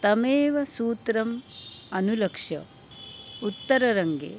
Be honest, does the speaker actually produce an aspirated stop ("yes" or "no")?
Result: no